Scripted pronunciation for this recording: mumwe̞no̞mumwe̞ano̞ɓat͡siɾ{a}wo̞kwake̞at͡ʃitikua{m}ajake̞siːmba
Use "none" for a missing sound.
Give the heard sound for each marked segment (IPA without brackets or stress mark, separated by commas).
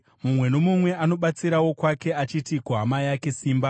a, m